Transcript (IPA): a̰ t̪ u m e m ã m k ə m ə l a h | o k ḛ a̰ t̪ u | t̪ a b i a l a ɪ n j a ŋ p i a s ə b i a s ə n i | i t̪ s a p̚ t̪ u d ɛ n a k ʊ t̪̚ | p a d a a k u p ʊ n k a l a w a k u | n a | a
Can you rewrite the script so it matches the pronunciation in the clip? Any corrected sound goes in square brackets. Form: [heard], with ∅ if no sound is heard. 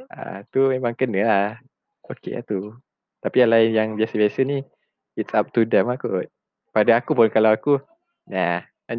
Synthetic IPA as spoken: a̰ t̪ u m e m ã [ŋ] k ə [n] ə l a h | o k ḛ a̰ t̪ u | t̪ a [p] i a l a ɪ n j a ŋ [b] i a s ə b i a s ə n i | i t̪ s a p̚ t̪ u d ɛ [m] a k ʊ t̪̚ | p a d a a k u p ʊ n k a l a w a k u | n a | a